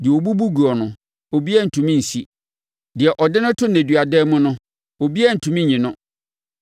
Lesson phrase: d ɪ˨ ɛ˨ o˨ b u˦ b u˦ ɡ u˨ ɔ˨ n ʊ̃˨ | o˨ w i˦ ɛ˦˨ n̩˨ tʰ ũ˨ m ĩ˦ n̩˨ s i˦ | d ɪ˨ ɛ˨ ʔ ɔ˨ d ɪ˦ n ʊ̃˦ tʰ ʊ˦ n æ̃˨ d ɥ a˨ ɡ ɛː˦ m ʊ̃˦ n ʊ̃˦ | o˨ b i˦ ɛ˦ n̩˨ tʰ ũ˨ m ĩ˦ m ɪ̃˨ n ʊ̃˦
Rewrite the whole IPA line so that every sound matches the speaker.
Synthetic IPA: d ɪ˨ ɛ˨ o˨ b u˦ b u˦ ɡ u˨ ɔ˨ n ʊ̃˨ | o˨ b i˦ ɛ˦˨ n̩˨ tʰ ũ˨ m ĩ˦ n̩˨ s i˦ | d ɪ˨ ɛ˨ ʔ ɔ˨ d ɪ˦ n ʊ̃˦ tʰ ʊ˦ n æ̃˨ d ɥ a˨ d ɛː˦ m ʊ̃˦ n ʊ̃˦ | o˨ b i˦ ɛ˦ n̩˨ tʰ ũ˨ m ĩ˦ ɲ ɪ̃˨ n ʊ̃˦